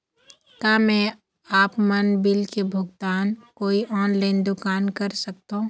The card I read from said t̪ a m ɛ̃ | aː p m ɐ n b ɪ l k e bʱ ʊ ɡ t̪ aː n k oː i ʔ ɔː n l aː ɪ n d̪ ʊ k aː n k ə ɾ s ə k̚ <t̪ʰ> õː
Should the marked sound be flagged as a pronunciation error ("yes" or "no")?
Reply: yes